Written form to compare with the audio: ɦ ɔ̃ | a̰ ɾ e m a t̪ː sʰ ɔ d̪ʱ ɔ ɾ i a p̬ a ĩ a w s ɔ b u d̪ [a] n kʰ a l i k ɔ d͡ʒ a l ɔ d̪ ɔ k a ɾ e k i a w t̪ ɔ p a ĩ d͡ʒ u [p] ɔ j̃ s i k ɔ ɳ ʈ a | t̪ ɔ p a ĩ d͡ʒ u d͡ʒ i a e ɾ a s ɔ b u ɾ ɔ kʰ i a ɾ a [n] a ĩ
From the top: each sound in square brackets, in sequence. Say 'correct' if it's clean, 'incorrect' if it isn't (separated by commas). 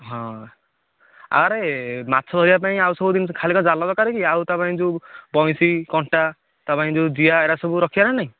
incorrect, incorrect, correct